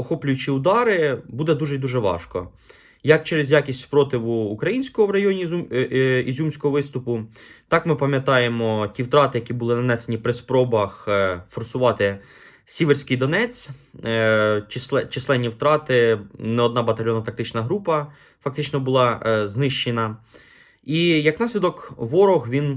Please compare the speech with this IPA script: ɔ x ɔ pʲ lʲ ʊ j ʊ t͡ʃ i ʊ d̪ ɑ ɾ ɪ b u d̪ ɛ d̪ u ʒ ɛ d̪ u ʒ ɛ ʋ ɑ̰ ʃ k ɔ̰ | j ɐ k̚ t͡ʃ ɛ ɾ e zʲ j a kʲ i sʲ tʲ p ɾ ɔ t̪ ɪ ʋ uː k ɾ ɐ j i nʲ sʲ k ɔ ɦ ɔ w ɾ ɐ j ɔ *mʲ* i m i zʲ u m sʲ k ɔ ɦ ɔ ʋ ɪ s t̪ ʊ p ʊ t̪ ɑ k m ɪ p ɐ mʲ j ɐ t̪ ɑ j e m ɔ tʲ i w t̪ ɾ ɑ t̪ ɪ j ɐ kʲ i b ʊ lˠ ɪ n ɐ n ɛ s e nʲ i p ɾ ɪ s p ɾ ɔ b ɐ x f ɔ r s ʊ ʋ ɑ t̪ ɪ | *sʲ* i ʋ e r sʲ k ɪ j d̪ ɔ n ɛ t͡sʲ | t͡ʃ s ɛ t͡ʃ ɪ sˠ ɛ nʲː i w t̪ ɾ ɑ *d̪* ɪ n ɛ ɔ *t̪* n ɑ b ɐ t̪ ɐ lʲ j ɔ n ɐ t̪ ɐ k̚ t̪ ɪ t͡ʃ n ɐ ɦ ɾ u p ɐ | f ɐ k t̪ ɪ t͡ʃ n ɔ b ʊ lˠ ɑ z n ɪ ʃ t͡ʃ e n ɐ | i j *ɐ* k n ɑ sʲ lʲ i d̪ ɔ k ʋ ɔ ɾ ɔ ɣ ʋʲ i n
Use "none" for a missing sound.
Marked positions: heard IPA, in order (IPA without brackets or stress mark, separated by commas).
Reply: nʲ, sʲ, t̪, d̪, ɐ